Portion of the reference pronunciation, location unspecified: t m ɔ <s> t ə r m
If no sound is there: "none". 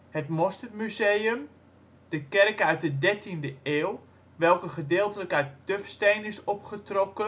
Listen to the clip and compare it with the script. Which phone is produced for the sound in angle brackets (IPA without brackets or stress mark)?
s